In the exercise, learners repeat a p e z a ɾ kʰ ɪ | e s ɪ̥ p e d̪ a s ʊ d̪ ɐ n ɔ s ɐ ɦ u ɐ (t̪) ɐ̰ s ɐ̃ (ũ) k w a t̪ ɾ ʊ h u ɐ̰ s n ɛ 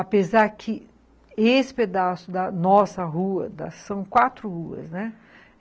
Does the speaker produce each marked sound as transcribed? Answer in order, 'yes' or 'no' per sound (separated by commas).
no, no